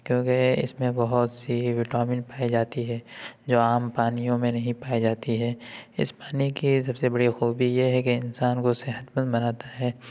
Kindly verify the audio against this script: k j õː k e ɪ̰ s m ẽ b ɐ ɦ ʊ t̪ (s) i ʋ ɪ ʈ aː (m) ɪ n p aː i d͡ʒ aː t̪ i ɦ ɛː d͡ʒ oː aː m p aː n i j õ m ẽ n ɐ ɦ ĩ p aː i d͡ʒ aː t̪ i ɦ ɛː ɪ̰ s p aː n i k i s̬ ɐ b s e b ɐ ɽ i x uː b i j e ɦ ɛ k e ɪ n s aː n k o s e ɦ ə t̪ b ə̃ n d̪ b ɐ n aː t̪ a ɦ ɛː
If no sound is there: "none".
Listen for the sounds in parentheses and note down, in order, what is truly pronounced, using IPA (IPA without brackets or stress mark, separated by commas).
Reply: s, m